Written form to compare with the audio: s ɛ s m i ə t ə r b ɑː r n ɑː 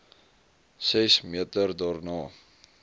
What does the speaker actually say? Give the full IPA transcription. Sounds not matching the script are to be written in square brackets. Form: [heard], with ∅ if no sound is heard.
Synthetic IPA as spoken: s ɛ s m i ə t ə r [d] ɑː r n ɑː